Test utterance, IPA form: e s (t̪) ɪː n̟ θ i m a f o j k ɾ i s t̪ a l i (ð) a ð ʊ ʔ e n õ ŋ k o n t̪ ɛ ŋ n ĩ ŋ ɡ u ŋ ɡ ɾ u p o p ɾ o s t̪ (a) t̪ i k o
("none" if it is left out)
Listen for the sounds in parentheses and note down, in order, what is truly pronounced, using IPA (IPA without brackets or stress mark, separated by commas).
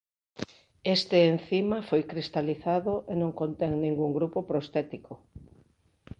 t̪, θ, ɛ